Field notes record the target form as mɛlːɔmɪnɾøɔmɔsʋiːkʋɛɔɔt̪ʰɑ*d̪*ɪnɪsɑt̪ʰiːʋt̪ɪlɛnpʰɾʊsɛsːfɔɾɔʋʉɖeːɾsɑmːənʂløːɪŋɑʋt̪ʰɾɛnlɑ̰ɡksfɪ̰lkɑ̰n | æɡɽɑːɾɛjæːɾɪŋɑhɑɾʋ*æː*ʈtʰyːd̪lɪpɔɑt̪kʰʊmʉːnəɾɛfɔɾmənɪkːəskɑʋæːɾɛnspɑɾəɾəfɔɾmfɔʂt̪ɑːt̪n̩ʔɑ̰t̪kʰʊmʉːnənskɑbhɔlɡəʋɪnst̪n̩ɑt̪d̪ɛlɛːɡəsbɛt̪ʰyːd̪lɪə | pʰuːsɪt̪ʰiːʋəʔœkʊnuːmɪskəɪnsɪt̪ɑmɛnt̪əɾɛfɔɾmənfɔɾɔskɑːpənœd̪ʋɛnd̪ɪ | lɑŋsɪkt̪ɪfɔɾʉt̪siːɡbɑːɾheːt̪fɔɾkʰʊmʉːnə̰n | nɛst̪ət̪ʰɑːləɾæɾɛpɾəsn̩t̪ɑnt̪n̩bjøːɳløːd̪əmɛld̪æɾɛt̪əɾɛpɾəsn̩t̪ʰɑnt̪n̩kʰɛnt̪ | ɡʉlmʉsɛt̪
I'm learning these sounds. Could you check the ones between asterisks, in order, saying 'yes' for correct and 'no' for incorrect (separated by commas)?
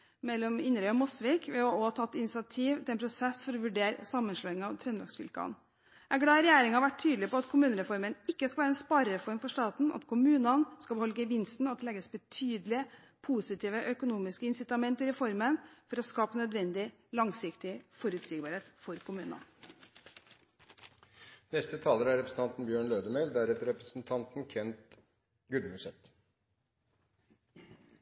no, no